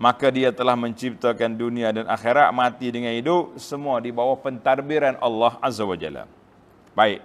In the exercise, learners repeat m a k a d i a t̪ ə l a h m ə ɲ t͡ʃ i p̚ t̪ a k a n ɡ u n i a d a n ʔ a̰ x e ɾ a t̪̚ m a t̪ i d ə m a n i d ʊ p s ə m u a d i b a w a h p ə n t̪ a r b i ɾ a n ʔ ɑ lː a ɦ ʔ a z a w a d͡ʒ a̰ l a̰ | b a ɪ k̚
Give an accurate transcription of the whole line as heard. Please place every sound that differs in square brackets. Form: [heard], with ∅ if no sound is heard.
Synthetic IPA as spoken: m a k a d i a t̪ ə l a h m ə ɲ t͡ʃ i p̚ t̪ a k a n [d] u n i a d a n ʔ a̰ x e ɾ a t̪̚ m a t̪ i d ə [ŋ] a n i d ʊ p s ə m u a d i b a w a h p ə n t̪ a r b i ɾ a n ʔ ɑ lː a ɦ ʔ a z a w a d͡ʒ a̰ l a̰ | b a ɪ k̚